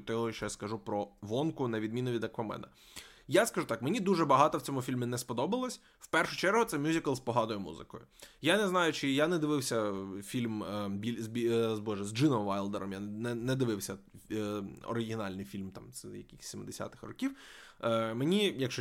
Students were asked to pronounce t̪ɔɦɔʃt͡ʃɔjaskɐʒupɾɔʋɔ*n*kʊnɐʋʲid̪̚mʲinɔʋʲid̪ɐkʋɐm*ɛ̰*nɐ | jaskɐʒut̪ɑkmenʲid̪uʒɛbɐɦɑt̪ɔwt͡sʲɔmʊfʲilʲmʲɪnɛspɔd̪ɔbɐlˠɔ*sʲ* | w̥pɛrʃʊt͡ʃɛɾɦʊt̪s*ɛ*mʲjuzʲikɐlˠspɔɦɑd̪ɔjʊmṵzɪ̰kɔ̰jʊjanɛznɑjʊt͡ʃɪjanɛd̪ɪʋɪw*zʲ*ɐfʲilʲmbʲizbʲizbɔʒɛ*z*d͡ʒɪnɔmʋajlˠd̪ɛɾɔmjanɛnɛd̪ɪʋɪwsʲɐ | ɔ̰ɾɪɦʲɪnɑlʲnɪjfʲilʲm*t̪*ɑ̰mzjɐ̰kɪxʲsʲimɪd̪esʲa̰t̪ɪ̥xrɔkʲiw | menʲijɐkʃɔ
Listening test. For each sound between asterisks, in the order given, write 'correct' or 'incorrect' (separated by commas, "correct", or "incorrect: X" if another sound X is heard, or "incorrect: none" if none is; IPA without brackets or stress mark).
correct, correct, correct, correct, incorrect: sʲ, correct, correct